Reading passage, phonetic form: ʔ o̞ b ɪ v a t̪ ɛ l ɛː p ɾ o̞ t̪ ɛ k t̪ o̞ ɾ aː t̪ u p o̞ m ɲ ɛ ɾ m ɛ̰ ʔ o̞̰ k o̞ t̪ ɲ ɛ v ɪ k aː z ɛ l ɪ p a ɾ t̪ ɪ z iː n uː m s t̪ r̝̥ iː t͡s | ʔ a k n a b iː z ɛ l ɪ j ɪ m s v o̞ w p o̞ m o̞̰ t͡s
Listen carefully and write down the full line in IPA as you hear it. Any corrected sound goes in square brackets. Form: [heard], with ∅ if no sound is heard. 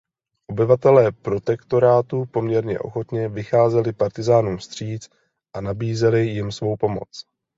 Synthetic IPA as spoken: ʔ o̞ b ɪ v a t̪ ɛ l ɛː p ɾ o̞ t̪ ɛ k t̪ o̞ ɾ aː t̪ u p o̞ m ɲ ɛ ɾ [ɲ] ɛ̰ ʔ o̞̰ [x] o̞ t̪ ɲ ɛ v ɪ [x] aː z ɛ l ɪ p a ɾ t̪ ɪ z [aː] n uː m s t̪ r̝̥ iː t͡s | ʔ a [∅] n a b iː z ɛ l ɪ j ɪ m s v o̞ w p o̞ m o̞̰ t͡s

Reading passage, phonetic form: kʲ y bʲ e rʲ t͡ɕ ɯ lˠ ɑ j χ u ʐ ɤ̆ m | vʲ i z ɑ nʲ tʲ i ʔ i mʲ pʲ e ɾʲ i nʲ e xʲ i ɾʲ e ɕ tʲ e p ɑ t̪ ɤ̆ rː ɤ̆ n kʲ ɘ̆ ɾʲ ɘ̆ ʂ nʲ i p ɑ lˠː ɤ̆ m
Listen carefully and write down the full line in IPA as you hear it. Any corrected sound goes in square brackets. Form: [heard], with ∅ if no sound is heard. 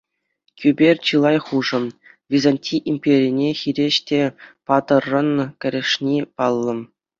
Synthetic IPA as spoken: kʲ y bʲ e rʲ t͡ɕ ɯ lˠ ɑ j χ u ʐ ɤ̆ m | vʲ i z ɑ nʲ tʲ i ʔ i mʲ pʲ e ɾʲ i nʲ e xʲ i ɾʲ e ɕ tʲ e p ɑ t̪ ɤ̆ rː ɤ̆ n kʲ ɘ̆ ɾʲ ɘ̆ ʂ nʲ i p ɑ lˠː ɤ̆ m

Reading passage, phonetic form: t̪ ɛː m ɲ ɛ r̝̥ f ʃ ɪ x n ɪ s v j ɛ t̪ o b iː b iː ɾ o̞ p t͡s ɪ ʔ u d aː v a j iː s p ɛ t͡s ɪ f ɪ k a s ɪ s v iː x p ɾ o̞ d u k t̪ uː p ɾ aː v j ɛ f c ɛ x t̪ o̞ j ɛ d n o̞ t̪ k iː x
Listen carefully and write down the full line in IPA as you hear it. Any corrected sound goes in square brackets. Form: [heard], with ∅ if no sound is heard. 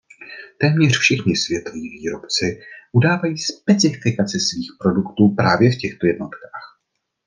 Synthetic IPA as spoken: t̪ ɛː m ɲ ɛ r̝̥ f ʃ ɪ x [ɲ] ɪ s v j ɛ t̪ o [v] iː [v] iː ɾ o̞ p t͡s ɪ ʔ u d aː v a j iː s p ɛ t͡s ɪ f ɪ k a [t͡s] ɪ s v iː x p ɾ o̞ d u k t̪ uː p ɾ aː v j ɛ f c ɛ x t̪ o̞ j ɛ d n o̞ t̪ k [aː] x

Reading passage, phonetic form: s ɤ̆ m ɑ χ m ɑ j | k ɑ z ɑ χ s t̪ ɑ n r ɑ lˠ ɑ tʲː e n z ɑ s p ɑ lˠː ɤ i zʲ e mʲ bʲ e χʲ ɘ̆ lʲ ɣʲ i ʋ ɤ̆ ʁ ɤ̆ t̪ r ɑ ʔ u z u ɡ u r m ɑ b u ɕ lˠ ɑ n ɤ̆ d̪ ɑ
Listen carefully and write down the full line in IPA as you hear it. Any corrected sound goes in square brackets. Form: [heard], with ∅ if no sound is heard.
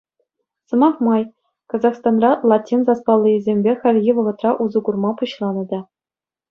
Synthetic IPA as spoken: s ɤ̆ m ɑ χ m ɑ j | k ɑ z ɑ χ s t̪ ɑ n r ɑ lˠ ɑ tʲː [i] n z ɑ s p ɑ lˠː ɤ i zʲ e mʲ bʲ e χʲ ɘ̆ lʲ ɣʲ i ʋ ɤ̆ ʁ ɤ̆ t̪ r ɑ ʔ u z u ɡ u r m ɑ [p] u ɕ lˠ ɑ n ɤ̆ d̪ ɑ

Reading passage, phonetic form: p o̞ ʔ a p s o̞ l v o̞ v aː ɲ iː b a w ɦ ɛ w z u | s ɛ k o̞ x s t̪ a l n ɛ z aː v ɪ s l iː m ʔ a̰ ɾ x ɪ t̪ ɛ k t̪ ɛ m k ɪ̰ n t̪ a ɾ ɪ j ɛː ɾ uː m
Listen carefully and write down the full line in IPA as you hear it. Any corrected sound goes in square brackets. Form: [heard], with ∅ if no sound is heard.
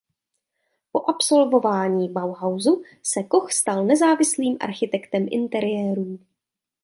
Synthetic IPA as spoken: p o̞ ʔ a p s o̞ l v o̞ v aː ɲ iː b a w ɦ [a] w z u | s ɛ k o̞ x s t̪ a l n ɛ z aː v ɪ s l iː m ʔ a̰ ɾ x ɪ t̪ ɛ k t̪ ɛ m [ʔ] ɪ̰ n t̪ [ɛ] ɾ ɪ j ɛː ɾ uː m

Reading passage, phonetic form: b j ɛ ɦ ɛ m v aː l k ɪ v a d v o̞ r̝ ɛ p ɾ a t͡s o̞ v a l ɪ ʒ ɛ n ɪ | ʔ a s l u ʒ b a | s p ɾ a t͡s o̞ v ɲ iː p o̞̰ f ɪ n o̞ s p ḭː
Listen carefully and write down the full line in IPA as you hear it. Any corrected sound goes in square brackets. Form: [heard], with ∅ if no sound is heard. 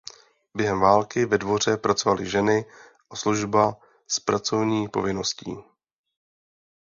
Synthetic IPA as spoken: b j ɛ ɦ ɛ m v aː l k ɪ v [ɛ] d v o̞ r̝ ɛ p ɾ a t͡s o̞ v a l ɪ ʒ ɛ n ɪ | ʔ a s l u ʒ b a | s p ɾ a t͡s o̞ v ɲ iː p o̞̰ [v] ɪ n o̞ s [c] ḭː

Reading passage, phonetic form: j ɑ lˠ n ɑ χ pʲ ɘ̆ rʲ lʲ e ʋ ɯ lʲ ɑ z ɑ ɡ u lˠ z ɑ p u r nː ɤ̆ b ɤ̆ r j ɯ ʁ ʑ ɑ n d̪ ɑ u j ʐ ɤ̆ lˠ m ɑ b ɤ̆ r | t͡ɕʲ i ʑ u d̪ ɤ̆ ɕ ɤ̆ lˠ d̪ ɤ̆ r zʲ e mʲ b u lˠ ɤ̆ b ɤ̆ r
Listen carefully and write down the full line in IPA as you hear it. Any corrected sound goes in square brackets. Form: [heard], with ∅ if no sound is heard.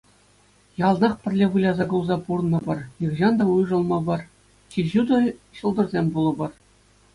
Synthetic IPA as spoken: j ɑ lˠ n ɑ χ pʲ ɘ̆ rʲ lʲ e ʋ ɯ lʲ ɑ z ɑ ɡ u lˠ z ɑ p u r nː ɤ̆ b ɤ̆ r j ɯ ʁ ʑ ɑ n d̪ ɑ u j ʐ ɤ̆ lˠ m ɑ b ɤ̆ r | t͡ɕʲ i ʑ u d̪ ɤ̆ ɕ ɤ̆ lˠ d̪ ɤ̆ r zʲ e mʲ b u lˠ ɤ̆ b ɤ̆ r

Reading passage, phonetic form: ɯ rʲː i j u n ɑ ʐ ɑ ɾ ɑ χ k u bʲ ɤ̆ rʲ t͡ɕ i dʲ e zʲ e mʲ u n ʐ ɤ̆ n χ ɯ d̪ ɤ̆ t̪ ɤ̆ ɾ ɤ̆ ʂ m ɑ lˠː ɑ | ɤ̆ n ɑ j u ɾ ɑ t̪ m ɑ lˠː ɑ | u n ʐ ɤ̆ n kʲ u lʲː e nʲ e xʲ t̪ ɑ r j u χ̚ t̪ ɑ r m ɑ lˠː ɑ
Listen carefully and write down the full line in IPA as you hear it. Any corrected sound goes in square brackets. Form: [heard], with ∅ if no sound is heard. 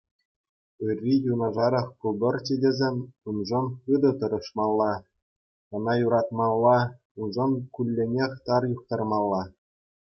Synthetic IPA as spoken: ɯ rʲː i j u n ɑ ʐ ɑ ɾ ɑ χ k u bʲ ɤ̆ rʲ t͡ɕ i dʲ e zʲ e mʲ u n ʐ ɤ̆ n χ ɯ d̪ ɤ̆ t̪ ɤ̆ ɾ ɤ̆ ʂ m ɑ lˠː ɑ | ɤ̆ n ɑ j u ɾ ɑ t̪ m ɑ lˠː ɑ | u n ʐ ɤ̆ n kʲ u lʲː e nʲ e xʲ t̪ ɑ r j u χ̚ t̪ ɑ r m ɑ lˠː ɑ

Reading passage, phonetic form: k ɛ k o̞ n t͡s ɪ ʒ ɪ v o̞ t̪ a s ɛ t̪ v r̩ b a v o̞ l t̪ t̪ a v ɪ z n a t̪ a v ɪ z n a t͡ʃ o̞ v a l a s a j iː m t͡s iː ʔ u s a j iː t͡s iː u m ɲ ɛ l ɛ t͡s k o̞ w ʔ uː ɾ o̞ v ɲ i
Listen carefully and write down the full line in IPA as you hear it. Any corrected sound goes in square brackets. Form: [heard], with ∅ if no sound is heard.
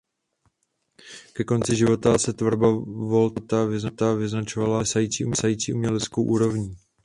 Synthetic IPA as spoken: k ɛ k o̞ n t͡s ɪ ʒ ɪ v o̞ t̪ a s ɛ t̪ v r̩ b a v o̞ l t̪ t̪ a v ɪ z n a t̪ a v ɪ z n a t͡ʃ o̞ v a l a s a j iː [∅] t͡s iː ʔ u s a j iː t͡s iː u m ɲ ɛ l ɛ t͡s k o̞ w ʔ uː ɾ o̞ v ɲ i

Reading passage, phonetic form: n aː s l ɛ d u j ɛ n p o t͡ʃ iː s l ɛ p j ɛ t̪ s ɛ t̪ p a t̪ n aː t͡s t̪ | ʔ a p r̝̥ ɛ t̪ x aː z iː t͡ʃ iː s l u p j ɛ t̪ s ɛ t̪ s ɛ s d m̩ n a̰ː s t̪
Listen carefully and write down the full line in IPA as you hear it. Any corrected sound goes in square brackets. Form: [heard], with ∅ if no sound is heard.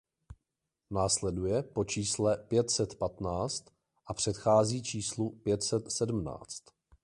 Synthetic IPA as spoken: n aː s l ɛ d u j ɛ [∅] p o t͡ʃ iː s l ɛ p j ɛ t̪ s ɛ t̪ p a t̪ n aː t͡s t̪ | ʔ a p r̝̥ ɛ t̪ x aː z iː t͡ʃ iː s l u p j ɛ t̪ s ɛ t̪ s ɛ [∅] d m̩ n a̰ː [t͡s] t̪

